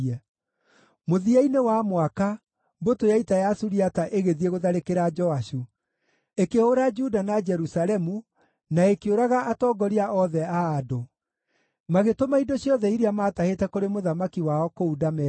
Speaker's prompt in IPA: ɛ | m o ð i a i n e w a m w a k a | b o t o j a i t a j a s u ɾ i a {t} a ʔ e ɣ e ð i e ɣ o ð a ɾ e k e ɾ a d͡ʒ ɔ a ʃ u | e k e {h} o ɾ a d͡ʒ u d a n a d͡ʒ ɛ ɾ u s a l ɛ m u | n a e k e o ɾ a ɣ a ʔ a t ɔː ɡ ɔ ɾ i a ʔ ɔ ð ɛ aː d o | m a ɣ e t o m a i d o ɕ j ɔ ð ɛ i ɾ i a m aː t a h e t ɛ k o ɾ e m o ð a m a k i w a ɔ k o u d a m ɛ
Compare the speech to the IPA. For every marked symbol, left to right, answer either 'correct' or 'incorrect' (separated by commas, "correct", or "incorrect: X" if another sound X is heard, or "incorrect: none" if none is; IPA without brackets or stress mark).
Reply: correct, correct